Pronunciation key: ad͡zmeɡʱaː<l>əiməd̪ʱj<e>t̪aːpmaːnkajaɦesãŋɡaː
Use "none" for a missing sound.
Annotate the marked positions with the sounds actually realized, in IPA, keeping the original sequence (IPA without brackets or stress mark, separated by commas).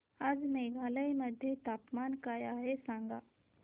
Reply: l, e